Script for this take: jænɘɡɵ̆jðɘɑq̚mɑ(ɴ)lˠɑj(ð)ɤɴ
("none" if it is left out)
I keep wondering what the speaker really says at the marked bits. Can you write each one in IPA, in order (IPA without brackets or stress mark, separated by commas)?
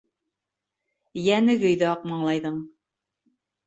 ɴ, ð